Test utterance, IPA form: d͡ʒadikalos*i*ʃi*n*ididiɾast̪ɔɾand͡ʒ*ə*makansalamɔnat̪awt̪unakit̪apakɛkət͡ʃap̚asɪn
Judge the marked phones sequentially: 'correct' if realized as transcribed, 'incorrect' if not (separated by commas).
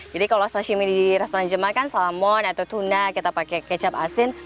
incorrect, incorrect, correct